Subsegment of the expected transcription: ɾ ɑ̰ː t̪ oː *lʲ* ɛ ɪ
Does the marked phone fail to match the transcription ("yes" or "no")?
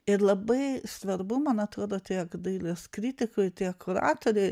yes